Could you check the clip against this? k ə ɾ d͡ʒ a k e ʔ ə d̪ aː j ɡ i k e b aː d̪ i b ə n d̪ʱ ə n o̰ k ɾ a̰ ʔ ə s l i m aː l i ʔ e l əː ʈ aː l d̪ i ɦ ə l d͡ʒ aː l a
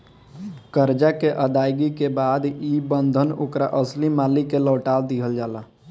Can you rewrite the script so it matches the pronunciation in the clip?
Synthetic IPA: k ə ɾ d͡ʒ a k e ʔ ə d̪ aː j ɡ i k e b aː d̪ i b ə n d̪ʱ ə n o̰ k ɾ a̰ ʔ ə s l i m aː l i k e l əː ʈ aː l d̪ i ɦ ə l d͡ʒ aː l a